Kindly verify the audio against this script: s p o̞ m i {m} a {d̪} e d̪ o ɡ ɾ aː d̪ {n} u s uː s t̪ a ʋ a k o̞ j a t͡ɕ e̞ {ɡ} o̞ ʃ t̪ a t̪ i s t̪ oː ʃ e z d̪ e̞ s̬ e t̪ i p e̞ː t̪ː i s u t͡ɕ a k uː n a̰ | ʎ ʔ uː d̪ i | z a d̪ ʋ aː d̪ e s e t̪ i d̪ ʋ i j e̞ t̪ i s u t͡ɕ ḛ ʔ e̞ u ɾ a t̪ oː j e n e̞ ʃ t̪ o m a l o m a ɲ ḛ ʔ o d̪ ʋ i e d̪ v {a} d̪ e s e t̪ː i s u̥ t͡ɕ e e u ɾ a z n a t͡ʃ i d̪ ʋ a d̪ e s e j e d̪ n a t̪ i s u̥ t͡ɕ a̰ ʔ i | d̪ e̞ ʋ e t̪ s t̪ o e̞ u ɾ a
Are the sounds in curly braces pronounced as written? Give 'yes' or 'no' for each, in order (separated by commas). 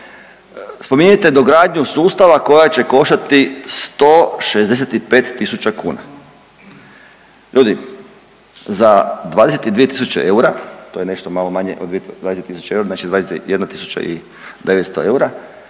no, no, no, no, yes